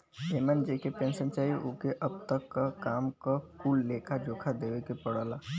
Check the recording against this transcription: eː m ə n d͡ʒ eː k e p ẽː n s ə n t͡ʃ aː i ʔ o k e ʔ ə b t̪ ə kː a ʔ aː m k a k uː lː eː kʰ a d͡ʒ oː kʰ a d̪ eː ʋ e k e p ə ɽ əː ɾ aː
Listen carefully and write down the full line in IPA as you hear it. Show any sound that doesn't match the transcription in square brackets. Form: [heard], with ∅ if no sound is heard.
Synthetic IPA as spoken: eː m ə n d͡ʒ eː k e p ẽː n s ə n t͡ʃ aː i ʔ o k e ʔ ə b t̪ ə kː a [k] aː m k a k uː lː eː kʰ a d͡ʒ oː kʰ a d̪ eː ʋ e k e p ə ɽ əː [l] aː